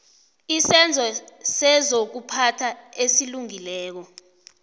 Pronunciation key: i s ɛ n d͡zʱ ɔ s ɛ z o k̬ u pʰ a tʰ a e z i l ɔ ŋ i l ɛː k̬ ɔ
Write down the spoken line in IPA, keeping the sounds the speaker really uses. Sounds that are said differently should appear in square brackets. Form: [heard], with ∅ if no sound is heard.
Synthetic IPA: i s ɛ n d͡zʱ ɔ s ɛ z o k̬ u pʰ a tʰ a e [s] i l [u] ŋ i l ɛː k̬ ɔ